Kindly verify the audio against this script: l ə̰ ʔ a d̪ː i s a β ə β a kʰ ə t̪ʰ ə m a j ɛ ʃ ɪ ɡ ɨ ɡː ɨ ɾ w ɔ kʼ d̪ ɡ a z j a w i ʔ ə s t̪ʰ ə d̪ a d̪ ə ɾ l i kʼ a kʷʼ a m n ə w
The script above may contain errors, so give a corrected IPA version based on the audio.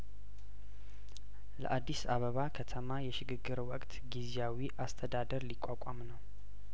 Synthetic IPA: l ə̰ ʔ a d̪ː i s a β ə β a kʰ ə t̪ʰ ə m a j ɛ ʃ ɪ ɡ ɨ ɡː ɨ ɾ w ɔ kʼ t̪ ɡ i z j a w i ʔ a s t̪ʰ ə d̪ a d̪ ə ɾ l i kʼ a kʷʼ a m n ə w

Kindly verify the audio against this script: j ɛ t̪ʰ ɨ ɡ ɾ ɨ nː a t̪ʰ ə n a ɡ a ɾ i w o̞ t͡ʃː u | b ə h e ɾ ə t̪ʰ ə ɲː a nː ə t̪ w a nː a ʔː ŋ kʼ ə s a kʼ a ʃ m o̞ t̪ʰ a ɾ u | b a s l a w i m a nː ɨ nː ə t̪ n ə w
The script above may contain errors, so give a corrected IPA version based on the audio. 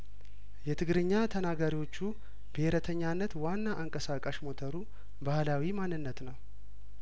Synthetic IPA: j ɛ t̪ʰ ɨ ɡ ɾ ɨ ɲː a t̪ʰ ə n a ɡ a ɾ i w o̞ t͡ʃː u | b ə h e ɾ ə t̪ʰ ə ɲː a nː ə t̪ w a nː a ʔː ŋ kʼ ə s a kʼ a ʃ m o̞ t̪ʰ ə ɾ u | b a h l a w i m a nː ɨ nː ə t̪ n ə w

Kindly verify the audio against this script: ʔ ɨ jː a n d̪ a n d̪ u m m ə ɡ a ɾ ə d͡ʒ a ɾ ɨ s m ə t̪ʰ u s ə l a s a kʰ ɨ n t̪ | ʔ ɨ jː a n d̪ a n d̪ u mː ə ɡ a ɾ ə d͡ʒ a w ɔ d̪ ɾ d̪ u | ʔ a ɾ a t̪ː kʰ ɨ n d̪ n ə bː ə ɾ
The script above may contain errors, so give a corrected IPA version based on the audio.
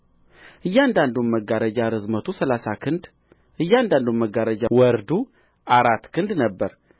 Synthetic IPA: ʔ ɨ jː a n d̪ a n d̪ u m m ə ɡ a ɾ ə d͡ʒ a ɾ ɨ z m ə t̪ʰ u s ə l a s a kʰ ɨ n d̪ | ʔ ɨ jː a n d̪ a n d̪ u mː ə ɡ a ɾ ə d͡ʒ a w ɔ ɾ d̪ u | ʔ a ɾ a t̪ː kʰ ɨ n d̪ n ə bː ə ɾ

